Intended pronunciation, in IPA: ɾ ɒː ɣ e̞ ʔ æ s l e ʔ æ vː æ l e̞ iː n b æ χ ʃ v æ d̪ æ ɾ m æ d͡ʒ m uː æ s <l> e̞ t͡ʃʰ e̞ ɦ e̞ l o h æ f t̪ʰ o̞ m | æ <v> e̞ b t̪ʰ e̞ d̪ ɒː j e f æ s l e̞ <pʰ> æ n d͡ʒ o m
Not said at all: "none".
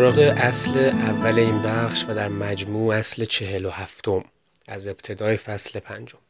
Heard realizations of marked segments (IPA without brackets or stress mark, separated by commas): l, z, pʰ